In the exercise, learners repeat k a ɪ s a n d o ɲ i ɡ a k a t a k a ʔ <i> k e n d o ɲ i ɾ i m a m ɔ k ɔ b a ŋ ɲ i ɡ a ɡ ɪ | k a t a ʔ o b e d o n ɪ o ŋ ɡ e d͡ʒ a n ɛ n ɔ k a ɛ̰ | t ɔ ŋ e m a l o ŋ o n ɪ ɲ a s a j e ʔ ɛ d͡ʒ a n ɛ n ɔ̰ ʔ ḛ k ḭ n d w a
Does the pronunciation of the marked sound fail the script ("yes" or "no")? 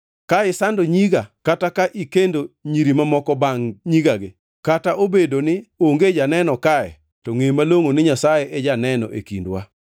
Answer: no